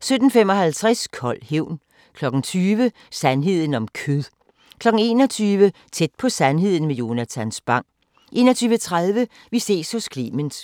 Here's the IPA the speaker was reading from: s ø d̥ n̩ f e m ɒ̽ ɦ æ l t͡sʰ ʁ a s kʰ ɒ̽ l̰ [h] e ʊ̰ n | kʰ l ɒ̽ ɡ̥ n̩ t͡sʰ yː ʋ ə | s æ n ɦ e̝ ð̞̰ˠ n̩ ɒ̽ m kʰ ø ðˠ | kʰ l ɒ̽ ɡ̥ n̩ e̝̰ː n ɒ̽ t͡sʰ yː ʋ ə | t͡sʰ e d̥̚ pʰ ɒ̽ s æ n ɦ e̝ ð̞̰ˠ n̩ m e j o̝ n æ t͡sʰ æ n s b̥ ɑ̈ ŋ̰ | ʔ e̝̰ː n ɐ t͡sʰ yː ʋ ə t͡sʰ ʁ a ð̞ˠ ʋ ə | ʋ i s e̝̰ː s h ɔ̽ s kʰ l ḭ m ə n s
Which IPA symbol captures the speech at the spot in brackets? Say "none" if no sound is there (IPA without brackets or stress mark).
h